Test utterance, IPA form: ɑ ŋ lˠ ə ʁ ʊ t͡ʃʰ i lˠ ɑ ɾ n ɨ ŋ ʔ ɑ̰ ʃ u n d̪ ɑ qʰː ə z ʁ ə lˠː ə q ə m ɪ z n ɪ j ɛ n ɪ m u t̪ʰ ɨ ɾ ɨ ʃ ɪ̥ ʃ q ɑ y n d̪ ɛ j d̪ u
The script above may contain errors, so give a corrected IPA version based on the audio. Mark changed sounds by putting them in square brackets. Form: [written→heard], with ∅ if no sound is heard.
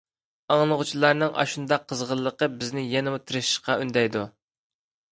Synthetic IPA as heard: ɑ ŋ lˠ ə ʁ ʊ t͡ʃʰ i lˠ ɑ ɾ n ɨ ŋ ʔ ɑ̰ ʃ u n d̪ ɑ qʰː ə z ʁ ə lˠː ə q ə [m→b] ɪ z n ɪ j ɛ n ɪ m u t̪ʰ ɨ ɾ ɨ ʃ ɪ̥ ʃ q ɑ y n d̪ ɛ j d̪ u